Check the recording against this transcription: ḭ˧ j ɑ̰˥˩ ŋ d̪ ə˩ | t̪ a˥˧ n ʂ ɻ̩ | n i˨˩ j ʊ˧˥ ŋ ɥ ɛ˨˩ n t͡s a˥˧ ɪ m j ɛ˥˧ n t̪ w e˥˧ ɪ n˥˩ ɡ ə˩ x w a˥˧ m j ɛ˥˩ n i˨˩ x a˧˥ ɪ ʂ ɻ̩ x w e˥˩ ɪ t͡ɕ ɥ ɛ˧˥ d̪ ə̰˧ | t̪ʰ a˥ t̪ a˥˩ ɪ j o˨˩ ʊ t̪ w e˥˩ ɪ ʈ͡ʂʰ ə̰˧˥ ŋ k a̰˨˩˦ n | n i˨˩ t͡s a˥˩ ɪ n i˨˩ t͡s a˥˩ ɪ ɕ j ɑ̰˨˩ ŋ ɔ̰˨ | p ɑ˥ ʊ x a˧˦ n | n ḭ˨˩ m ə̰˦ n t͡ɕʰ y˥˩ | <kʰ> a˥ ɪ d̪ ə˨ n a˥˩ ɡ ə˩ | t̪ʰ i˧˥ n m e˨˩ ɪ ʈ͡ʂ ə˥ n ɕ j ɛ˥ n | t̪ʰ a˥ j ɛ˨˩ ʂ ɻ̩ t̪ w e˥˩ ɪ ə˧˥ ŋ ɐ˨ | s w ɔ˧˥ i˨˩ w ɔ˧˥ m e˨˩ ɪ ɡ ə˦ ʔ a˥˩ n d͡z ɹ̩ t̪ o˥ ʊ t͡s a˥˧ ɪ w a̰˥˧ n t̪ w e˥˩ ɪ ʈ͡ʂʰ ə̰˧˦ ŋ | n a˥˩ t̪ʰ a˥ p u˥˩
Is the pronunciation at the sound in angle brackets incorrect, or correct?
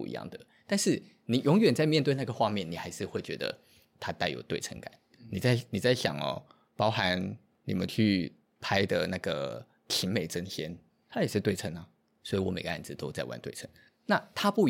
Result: incorrect